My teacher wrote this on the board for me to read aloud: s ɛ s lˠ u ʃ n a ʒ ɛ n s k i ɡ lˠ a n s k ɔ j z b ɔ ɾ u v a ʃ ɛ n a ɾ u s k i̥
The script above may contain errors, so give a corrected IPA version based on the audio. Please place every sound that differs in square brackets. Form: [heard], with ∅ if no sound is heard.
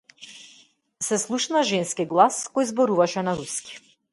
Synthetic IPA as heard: s ɛ s lˠ u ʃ n a ʒ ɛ n s k i ɡ lˠ a [∅] s k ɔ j z b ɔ ɾ u v a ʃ ɛ n a ɾ u s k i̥